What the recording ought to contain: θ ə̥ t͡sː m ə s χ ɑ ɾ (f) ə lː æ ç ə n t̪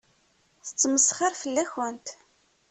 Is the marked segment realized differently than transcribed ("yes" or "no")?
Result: no